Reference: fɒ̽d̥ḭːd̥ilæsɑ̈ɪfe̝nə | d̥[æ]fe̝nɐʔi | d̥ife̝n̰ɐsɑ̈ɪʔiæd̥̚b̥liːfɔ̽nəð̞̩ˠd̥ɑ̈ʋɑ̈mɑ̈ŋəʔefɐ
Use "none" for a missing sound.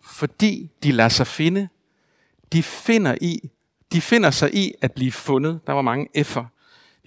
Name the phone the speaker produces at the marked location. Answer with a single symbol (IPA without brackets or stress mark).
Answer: i